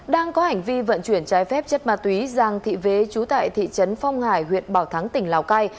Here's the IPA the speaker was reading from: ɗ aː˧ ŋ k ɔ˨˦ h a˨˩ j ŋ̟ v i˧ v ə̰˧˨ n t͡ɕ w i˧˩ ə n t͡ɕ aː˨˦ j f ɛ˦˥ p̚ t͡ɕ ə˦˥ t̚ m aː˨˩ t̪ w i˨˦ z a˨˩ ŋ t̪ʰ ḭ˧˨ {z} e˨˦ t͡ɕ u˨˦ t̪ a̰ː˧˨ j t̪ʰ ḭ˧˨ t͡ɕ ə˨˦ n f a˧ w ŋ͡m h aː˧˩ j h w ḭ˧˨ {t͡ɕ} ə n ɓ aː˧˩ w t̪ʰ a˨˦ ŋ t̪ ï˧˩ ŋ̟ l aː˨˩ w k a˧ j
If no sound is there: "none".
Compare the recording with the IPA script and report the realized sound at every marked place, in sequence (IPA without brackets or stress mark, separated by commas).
v, none